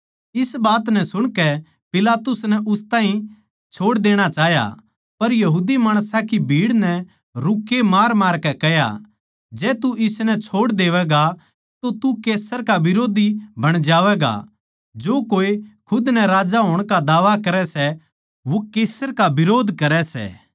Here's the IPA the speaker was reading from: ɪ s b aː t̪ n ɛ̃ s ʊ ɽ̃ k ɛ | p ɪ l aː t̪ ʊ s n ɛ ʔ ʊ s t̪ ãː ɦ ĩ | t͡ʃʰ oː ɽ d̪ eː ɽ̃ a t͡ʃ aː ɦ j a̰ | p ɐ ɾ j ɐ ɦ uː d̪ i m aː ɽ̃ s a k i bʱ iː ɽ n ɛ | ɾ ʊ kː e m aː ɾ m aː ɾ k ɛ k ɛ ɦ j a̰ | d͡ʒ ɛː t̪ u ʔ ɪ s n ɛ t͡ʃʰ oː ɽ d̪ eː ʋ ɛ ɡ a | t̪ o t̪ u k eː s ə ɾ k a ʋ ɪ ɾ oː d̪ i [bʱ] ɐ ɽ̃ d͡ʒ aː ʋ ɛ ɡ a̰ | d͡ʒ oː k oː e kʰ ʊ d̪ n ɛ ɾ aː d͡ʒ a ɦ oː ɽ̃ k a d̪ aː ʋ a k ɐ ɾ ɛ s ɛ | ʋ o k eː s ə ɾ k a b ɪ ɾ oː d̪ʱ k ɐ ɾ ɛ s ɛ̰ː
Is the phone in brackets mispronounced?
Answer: no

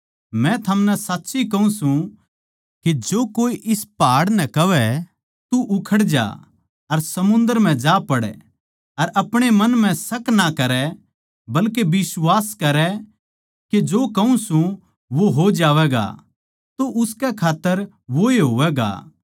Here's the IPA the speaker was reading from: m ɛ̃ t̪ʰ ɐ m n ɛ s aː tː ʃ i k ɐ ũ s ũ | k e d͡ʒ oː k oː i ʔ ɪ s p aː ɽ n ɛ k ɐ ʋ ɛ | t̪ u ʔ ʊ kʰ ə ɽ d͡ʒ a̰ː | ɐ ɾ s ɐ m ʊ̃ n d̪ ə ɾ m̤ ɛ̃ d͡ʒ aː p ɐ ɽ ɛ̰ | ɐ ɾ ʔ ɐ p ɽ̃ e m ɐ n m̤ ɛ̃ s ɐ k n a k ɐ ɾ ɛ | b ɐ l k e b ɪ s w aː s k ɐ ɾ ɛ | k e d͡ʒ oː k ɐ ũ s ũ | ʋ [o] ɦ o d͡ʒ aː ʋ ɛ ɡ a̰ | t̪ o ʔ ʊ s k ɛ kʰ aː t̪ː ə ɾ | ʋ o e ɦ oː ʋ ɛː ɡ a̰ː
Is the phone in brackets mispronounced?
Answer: no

